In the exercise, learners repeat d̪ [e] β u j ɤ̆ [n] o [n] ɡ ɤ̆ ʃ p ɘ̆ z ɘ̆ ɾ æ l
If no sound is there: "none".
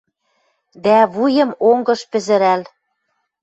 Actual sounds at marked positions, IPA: æ, m, ŋ

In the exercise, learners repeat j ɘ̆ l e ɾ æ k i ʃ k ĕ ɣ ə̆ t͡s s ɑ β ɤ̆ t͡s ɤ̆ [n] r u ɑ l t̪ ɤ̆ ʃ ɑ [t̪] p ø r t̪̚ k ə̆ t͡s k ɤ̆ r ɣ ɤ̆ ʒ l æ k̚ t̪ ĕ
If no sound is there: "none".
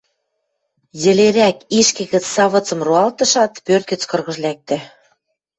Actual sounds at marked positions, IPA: m, t̪

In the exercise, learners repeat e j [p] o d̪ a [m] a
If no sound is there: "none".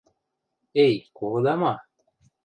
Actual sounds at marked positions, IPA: k, m

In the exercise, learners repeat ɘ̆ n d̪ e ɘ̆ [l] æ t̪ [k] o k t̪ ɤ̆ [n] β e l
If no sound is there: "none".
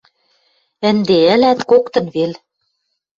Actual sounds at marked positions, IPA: l, k, n

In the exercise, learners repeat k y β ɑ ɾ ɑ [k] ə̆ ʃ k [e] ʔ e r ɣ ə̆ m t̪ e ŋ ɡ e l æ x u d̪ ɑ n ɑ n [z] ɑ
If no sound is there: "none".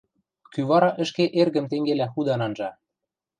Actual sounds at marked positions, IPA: ʔ, e, ʒ

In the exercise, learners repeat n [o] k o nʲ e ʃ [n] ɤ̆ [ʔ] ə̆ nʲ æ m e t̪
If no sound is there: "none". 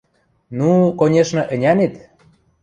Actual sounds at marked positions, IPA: u, n, ʔ

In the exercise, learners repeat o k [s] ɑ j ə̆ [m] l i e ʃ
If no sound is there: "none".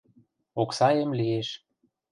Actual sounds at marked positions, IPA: s, m

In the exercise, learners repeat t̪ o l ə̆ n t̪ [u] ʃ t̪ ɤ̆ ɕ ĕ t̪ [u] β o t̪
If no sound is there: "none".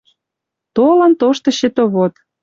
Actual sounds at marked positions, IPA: o, o

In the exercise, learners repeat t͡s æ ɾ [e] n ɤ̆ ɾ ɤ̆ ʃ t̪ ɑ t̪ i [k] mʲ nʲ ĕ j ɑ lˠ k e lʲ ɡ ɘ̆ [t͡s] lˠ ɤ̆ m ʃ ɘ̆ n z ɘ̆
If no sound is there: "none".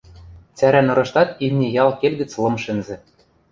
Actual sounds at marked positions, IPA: æ, none, t͡s

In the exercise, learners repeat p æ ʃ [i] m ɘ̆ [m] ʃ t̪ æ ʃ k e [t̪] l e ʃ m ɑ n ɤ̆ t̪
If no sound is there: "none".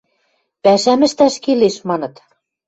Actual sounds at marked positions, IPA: æ, none, none

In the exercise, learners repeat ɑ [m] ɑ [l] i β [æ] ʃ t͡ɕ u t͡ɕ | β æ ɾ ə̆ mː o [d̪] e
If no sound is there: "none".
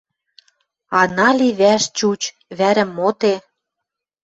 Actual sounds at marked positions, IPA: n, l, æ, t̪

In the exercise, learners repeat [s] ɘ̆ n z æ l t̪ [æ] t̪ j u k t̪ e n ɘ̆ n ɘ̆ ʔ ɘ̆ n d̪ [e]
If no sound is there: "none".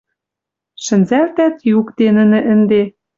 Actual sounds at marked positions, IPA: ʃ, æ, e

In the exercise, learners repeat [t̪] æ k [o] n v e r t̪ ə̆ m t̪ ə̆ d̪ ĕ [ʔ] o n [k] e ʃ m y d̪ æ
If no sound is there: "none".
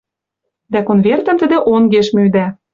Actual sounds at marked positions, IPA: d̪, o, ʔ, ɡ

